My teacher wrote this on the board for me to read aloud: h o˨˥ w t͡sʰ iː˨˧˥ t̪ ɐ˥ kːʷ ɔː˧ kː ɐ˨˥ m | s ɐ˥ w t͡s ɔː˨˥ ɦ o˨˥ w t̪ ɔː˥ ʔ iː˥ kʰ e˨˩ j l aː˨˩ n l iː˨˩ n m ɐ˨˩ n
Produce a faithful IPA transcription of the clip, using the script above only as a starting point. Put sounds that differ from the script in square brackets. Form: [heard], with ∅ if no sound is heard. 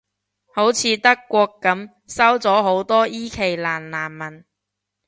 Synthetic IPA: h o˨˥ w t͡sʰ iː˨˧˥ t̪ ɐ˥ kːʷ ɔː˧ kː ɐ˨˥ m | s ɐ˥ w t͡s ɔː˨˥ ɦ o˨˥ w t̪ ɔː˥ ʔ iː˥ kʰ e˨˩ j l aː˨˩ n l [aː˨˩] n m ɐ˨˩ n